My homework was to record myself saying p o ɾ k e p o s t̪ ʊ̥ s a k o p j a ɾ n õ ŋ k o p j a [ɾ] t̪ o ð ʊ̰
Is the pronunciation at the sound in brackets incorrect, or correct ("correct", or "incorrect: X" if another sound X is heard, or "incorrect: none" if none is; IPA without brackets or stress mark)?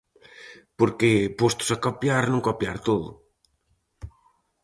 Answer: correct